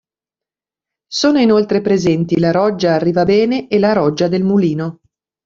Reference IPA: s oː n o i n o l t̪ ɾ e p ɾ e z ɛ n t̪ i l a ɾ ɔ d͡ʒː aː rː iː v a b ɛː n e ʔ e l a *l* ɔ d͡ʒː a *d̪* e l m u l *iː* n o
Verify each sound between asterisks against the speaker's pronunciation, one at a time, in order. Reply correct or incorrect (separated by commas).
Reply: incorrect, correct, correct